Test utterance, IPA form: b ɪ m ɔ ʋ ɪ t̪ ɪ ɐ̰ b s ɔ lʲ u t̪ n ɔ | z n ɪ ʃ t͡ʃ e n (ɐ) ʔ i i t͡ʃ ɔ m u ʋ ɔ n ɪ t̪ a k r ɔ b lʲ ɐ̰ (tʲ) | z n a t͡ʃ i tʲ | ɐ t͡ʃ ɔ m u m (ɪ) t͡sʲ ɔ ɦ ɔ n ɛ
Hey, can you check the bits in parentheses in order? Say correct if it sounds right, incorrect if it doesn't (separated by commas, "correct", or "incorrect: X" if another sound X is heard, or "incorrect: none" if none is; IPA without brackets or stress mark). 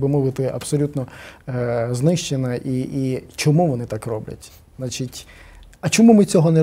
correct, correct, correct